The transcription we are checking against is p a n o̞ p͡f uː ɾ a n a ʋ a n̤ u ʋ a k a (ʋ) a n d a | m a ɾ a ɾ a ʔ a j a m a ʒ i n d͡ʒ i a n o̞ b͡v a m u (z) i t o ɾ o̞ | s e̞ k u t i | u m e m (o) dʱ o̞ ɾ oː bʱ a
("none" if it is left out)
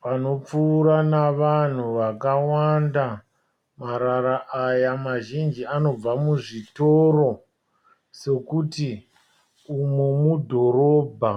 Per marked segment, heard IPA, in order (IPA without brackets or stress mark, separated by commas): w, ʐ, u